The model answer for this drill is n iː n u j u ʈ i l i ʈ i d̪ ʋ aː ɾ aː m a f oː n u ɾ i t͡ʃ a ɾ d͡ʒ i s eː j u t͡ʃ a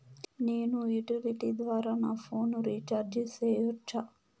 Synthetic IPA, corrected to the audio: n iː n u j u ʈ i l i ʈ i d̪ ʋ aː ɾ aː n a f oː n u ɾ i t͡ʃ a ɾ d͡ʒ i s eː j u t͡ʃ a

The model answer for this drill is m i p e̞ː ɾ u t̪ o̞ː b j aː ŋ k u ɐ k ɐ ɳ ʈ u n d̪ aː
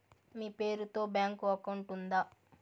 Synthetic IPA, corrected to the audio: m iː p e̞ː ɾ u t̪ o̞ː b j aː ŋ k u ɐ k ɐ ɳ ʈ u n d̪ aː

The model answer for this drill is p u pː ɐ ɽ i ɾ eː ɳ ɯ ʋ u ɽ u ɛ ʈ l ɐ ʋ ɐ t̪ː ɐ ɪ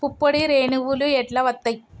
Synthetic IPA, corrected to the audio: p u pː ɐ ɽ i ɾ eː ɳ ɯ ʋ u l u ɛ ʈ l ɐ ʋ ɐ t̪ː ɐ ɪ

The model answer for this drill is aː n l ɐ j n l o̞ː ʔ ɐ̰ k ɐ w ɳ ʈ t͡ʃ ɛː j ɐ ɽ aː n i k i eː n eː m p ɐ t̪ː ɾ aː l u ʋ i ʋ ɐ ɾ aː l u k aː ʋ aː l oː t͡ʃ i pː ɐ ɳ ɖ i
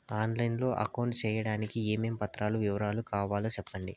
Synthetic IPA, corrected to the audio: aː n l ɐ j n l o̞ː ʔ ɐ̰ k ɐ w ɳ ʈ t͡ʃ ɛː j ɐ ɽ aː n i k i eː m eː m p ɐ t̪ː ɾ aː l u ʋ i ʋ ɐ ɾ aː l u k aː ʋ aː l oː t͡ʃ ɛ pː ɐ ɳ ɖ i

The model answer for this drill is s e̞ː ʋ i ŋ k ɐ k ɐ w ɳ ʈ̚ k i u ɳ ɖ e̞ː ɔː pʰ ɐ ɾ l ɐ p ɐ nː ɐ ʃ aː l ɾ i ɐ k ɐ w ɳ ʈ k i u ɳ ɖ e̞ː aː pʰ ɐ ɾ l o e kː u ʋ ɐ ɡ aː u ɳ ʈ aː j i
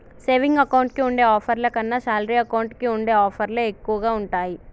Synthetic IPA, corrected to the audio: s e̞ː ʋ i ŋ ɡ ɐ k ɐ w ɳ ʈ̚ k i u ɳ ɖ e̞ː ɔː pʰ ɐ ɾ l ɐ k ɐ nː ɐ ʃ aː l ɾ i ɐ k ɐ w ɳ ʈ k i u ɳ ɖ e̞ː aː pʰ ɐ ɾ l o e kː u ʋ ɐ ɡ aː u ɳ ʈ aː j i

